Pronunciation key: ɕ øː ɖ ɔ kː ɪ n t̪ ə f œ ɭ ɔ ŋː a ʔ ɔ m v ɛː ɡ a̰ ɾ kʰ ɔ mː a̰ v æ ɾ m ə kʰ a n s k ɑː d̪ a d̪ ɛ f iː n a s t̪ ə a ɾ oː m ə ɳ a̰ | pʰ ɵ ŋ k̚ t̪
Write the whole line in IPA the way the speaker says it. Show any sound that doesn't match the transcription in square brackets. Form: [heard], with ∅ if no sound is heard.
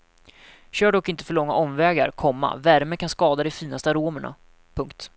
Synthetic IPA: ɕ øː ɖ ɔ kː ɪ n t̪ ə f œ ɭ ɔ ŋː a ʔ ɔ m v ɛː ɡ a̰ ɾ kʰ ɔ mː a̰ v æ ɾ m ə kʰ a n s k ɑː d̪ a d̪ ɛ f iː n a s t̪ ə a ɾ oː m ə ɳ a̰ | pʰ ɵ ŋ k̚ t̪